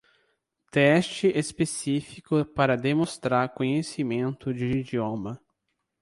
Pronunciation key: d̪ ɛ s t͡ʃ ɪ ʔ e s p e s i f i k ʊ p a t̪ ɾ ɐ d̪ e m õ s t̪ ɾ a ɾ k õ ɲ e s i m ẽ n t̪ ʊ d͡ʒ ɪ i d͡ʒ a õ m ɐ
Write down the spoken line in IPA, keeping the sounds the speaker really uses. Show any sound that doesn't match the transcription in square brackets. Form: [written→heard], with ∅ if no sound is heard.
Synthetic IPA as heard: [d̪→t̪] ɛ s t͡ʃ ɪ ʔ e s p e s i f i k ʊ p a [t̪→∅] ɾ ɐ d̪ e m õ s t̪ ɾ a ɾ k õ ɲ e s i m ẽ n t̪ ʊ d͡ʒ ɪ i d͡ʒ [a→i] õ m ɐ

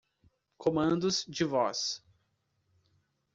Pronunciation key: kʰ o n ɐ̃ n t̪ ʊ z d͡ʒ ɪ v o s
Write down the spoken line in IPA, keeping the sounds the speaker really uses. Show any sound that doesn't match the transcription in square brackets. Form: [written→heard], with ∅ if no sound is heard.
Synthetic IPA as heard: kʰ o [n→m] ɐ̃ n [t̪→d̪] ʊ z d͡ʒ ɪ v [o→ɔ] s

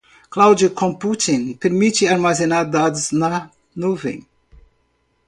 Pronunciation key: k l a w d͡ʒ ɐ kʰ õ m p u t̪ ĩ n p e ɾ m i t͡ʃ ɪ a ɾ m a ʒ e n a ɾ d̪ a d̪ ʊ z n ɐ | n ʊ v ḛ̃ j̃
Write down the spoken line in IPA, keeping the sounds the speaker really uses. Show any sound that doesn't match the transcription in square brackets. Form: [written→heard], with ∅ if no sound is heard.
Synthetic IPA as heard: k l a w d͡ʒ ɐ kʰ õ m p u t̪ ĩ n p e ɾ m i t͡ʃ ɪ a ɾ m a [ʒ→z] e n a ɾ d̪ a d̪ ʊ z n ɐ | n [ʊ→u] v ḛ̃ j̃

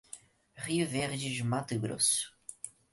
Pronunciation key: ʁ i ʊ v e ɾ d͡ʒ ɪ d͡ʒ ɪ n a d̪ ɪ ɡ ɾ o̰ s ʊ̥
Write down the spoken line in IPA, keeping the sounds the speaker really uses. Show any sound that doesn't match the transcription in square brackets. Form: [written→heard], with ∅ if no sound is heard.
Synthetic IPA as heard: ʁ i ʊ v e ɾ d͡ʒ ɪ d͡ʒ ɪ [n→m] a [d̪→t̪] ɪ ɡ ɾ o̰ s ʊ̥

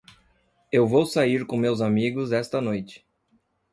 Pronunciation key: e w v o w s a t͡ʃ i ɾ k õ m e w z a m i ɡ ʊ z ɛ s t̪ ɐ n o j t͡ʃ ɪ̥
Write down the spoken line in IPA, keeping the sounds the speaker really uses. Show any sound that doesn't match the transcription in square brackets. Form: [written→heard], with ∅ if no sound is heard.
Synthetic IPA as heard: e w v o w s a [t͡ʃ→∅] i ɾ k õ m e w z a m i ɡ ʊ z ɛ s t̪ ɐ n o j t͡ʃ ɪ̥

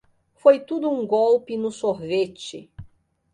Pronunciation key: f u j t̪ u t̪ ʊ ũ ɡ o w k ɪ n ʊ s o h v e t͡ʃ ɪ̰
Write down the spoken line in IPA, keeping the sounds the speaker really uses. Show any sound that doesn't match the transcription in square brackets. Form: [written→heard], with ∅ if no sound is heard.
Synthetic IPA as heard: f [u→o] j t̪ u [t̪→d̪] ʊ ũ ɡ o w [k→p] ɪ n ʊ s o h v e t͡ʃ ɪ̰

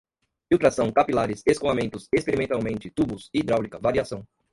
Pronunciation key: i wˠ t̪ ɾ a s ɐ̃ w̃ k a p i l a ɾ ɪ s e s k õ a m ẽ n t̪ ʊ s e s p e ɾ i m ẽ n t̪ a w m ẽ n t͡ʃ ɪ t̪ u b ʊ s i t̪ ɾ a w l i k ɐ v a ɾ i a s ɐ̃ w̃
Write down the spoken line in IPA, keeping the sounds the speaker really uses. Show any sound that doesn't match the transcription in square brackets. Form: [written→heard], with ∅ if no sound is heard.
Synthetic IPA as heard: i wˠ t̪ ɾ a s ɐ̃ w̃ k a p i l a ɾ ɪ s e s k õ a m ẽ n t̪ ʊ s e s p e ɾ i m ẽ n t̪ a w m ẽ n t͡ʃ ɪ t̪ u b ʊ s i [t̪→d̪] ɾ a w l i k ɐ v a ɾ i a s ɐ̃ w̃

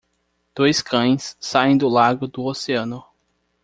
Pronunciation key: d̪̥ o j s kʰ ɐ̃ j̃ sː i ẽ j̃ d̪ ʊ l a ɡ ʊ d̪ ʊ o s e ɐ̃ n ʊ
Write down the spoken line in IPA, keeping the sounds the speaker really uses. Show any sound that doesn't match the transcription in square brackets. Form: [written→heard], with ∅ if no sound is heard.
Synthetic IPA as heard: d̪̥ o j s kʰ ɐ̃ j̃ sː [i→a] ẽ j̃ d̪ ʊ l a ɡ ʊ d̪ ʊ o s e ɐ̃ n ʊ

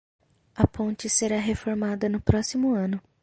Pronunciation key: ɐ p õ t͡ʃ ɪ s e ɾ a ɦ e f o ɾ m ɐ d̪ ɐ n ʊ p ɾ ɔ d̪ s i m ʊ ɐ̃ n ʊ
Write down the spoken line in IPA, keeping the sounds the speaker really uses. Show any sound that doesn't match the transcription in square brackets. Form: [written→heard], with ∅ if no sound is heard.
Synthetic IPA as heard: ɐ p õ t͡ʃ ɪ s e ɾ a ɦ e f o ɾ m [ɐ→a] d̪ ɐ n ʊ p ɾ ɔ [d̪→∅] s i m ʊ ɐ̃ n ʊ

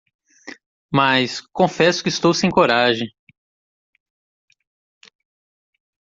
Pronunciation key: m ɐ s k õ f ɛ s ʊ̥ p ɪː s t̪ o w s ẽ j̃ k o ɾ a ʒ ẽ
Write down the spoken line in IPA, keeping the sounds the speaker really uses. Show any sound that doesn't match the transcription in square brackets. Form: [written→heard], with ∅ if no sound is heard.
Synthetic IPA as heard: m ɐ s k õ f ɛ s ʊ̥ [p→k] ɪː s t̪ o w s ẽ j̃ k o ɾ a ʒ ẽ

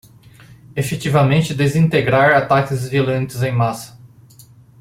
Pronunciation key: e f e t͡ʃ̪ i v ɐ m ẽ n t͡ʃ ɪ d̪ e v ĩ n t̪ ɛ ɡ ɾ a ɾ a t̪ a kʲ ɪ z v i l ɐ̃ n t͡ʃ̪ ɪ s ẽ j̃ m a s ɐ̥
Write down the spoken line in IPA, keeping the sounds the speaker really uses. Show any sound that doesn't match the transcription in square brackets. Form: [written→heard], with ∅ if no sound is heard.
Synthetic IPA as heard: e f e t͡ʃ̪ i v ɐ m ẽ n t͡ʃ ɪ d̪ e [v→z] ĩ n t̪ [ɛ→e] ɡ ɾ a ɾ a t̪ a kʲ ɪ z v i l ɐ̃ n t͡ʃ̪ ɪ [s→z] ẽ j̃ m a s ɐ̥

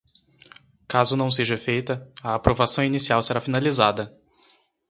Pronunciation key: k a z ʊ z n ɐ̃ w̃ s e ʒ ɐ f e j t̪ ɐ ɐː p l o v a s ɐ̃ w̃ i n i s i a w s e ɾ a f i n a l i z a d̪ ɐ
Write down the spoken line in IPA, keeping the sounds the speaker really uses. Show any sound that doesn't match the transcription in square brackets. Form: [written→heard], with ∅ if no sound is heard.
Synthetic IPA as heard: k a z ʊ [z→∅] n ɐ̃ w̃ s e ʒ ɐ f e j t̪ ɐ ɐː p [l→ɾ] o v a s ɐ̃ w̃ i n i s i a w s e ɾ a f i n a l i z a d̪ ɐ

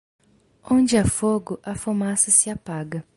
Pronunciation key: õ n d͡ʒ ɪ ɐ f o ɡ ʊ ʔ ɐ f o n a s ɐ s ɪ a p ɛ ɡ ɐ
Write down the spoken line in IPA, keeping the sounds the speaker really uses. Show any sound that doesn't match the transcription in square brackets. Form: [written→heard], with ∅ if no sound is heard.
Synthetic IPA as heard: õ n d͡ʒ ɪ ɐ f o ɡ ʊ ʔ ɐ f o [n→m] a s ɐ s ɪ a p [ɛ→a] ɡ ɐ

